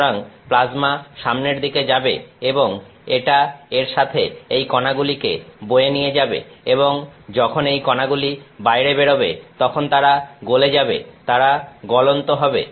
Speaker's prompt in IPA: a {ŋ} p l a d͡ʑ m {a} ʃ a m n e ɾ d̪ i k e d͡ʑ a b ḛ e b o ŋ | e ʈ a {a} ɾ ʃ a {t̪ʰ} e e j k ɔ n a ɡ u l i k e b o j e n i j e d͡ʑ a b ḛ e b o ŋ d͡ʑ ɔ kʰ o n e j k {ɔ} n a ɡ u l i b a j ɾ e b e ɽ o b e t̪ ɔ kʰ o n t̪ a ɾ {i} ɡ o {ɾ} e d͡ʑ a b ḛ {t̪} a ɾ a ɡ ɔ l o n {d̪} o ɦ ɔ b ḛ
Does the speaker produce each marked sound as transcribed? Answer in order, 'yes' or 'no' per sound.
yes, yes, no, yes, yes, no, no, yes, no

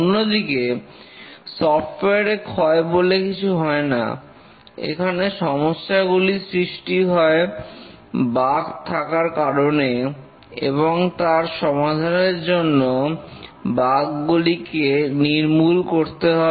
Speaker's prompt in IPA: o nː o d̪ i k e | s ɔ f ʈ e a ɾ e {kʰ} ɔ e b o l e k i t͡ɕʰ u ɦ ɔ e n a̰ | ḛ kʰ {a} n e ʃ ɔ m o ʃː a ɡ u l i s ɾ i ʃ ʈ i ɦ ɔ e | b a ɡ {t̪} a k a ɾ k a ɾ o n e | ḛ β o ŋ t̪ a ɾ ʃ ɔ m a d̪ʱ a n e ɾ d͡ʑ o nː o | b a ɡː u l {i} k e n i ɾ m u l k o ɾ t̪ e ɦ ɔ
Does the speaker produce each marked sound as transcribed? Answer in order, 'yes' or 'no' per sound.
yes, yes, no, yes

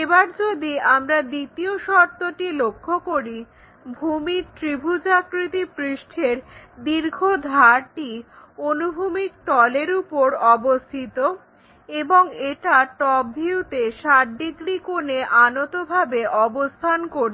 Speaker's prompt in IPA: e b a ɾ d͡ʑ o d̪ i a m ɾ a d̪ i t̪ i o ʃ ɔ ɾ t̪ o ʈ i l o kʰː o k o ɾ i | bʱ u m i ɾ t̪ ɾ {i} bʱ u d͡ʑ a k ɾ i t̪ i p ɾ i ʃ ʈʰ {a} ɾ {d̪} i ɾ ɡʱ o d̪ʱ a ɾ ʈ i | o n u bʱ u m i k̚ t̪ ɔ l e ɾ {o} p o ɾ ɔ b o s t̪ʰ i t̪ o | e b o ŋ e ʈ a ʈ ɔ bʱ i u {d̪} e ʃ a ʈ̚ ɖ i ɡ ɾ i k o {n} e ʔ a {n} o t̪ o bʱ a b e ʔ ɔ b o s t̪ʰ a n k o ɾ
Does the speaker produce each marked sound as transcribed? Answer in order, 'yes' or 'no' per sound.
yes, no, yes, no, no, yes, yes

